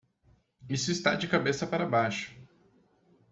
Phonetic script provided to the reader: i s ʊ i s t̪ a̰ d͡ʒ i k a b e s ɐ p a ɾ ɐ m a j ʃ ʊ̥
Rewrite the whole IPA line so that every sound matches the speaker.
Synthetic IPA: i s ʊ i s t̪ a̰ d͡ʒ ɪ k a b e s ɐ p a ɾ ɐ b a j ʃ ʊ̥